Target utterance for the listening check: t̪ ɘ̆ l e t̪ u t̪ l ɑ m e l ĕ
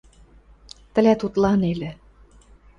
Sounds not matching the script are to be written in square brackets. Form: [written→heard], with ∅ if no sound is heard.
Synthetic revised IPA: t̪ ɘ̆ l [e→æ] t̪ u t̪ l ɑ [m→n] e l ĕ